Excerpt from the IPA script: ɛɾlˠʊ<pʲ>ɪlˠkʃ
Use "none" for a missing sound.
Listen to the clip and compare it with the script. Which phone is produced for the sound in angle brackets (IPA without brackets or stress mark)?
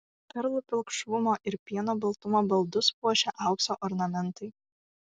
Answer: pʲ